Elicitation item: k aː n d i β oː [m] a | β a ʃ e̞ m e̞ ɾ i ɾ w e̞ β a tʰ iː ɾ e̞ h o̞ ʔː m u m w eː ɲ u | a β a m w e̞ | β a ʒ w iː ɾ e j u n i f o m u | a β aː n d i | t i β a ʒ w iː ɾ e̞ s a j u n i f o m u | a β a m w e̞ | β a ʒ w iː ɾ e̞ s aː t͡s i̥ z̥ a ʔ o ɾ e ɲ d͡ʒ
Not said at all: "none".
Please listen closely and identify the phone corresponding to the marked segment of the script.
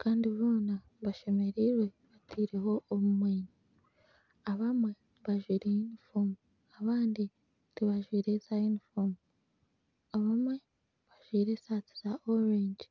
n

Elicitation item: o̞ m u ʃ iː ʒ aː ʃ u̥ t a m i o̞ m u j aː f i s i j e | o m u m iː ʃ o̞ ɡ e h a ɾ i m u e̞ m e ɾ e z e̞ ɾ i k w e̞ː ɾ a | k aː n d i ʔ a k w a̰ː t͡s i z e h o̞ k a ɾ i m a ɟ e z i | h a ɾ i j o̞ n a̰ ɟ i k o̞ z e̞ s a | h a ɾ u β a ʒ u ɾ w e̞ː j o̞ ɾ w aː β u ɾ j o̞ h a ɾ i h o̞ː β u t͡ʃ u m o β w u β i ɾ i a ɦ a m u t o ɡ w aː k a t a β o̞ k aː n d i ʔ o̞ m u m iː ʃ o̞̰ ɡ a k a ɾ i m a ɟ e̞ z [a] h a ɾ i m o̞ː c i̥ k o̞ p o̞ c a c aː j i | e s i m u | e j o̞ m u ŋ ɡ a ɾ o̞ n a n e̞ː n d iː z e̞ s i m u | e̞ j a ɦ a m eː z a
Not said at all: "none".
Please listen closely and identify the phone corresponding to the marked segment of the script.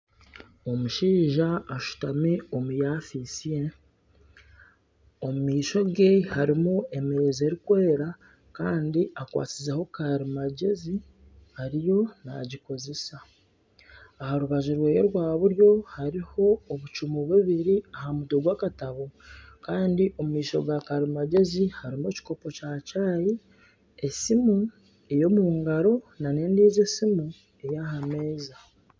i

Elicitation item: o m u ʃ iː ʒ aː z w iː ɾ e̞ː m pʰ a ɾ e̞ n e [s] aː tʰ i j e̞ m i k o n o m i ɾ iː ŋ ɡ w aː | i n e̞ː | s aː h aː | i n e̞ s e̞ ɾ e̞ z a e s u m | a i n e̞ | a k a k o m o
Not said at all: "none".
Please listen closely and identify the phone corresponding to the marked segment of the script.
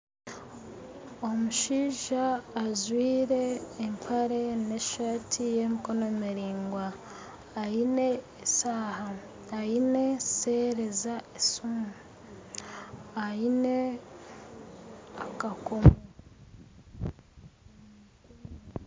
ʃ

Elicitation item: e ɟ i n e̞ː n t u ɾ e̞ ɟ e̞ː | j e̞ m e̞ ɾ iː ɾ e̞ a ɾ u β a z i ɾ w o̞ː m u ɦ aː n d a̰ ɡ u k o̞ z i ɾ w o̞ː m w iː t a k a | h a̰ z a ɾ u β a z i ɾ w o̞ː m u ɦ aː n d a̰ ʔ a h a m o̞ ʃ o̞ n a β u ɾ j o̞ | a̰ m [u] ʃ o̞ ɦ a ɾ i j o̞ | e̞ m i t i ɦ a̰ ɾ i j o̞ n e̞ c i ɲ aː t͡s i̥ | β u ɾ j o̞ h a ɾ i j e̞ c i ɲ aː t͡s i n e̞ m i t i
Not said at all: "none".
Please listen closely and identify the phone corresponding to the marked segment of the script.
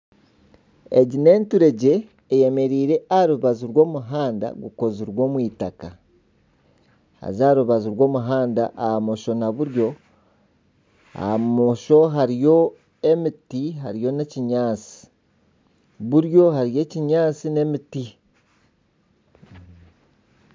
o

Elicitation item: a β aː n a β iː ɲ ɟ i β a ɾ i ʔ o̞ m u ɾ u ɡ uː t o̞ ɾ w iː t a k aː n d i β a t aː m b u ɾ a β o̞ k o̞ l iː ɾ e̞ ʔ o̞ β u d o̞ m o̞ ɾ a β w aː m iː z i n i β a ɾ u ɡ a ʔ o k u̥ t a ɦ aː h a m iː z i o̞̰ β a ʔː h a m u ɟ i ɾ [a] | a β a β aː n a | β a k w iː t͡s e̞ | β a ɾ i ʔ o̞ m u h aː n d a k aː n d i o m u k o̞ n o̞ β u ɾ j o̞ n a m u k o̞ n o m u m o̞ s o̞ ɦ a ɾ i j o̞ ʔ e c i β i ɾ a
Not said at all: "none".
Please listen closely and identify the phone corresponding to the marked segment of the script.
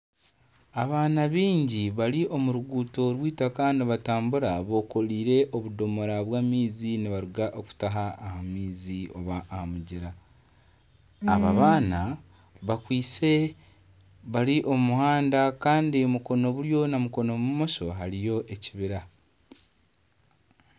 a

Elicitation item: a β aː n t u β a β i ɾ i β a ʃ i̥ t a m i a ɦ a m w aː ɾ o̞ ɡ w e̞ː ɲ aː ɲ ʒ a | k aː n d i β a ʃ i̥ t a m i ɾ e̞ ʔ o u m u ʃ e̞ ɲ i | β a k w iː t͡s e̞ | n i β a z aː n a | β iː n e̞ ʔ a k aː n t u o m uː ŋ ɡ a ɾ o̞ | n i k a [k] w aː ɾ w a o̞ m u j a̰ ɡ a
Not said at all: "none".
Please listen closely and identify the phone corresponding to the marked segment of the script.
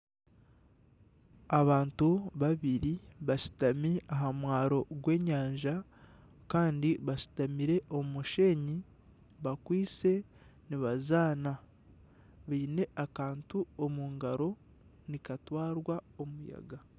t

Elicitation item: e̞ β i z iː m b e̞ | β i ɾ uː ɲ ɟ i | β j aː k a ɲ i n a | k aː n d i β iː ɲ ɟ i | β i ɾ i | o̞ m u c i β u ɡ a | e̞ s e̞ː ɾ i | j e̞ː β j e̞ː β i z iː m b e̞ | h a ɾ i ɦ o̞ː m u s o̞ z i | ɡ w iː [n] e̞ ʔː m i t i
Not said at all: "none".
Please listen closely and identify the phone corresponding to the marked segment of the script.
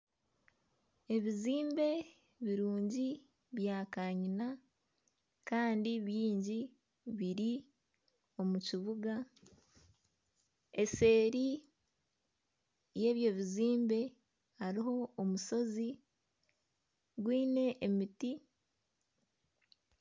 n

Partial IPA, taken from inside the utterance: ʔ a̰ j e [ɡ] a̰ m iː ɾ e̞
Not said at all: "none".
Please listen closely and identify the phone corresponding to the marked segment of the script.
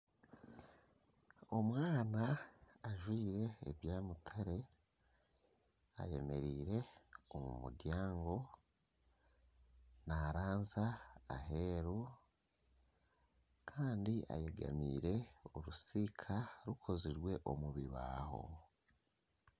ɡ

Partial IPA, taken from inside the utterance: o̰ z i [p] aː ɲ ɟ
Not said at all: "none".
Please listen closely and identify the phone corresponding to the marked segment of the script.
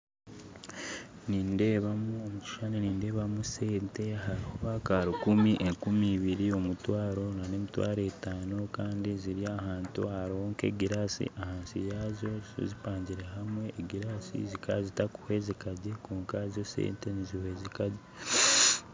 p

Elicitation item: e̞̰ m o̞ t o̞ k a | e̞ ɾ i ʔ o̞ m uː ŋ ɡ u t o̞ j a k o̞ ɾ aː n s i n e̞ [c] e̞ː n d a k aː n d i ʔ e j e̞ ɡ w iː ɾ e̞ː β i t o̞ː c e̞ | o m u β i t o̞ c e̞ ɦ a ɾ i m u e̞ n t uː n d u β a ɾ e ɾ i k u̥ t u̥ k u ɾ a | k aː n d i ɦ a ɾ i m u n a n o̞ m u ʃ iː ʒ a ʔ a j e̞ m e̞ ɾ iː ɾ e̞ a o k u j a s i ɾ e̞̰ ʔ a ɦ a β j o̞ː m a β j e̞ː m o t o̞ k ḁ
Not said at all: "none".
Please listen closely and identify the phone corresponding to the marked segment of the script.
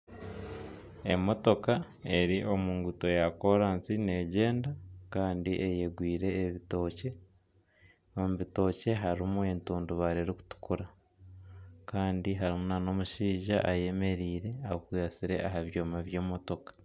ɟ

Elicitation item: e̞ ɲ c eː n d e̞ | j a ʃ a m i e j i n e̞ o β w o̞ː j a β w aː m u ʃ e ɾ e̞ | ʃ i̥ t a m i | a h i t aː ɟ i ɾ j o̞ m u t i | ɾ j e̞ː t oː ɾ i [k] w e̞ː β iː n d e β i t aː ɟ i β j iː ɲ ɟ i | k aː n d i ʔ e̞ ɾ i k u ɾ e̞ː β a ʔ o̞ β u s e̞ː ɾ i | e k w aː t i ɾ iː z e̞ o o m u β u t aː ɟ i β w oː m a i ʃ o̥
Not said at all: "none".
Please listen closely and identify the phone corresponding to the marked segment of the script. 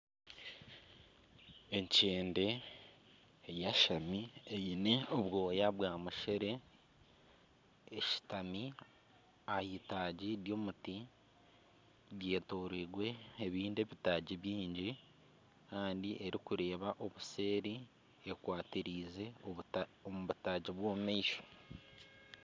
ɡ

